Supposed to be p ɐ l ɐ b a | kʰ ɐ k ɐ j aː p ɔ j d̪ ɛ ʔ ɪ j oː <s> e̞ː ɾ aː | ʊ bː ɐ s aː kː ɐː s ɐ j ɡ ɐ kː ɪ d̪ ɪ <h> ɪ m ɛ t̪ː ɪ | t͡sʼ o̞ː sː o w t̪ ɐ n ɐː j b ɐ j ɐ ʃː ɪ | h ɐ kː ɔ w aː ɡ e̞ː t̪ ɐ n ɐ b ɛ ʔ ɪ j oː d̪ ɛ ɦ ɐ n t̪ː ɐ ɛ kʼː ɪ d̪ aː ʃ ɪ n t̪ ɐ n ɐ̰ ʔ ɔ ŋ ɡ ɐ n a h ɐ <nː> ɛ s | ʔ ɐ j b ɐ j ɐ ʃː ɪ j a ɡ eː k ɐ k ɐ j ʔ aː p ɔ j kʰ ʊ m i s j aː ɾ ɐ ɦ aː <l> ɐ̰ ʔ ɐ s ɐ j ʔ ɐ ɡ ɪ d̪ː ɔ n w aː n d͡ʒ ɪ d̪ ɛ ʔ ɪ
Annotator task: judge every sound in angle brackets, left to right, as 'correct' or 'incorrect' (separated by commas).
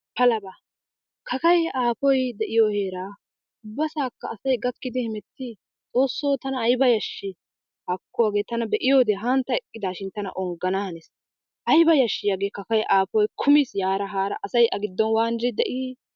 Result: incorrect, correct, incorrect, incorrect